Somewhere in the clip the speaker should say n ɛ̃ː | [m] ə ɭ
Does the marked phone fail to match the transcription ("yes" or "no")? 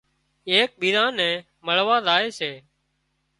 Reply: no